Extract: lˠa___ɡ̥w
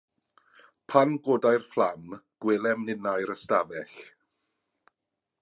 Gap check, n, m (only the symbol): m